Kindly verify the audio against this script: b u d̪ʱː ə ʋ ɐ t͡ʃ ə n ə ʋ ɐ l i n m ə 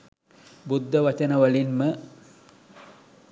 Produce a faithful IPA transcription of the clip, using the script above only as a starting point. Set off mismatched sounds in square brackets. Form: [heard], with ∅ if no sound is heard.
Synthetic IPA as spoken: b u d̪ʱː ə ʋ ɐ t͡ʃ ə n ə ʋ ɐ l i n m ə